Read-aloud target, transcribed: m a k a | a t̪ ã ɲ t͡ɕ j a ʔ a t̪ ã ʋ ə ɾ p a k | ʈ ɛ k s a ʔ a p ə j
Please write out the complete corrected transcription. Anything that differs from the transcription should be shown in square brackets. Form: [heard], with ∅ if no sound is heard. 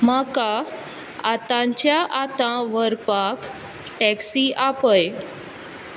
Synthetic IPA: m a k a | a t̪ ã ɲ t͡ɕ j a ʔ a t̪ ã ʋ ə ɾ p a k | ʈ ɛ k s [i] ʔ a p ə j